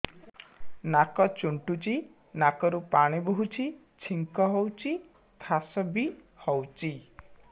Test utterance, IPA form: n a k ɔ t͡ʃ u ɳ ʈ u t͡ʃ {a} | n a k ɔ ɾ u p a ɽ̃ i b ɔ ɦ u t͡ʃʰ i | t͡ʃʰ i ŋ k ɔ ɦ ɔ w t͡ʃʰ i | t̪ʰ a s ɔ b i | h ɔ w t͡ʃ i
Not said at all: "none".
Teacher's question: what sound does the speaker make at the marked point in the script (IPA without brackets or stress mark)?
i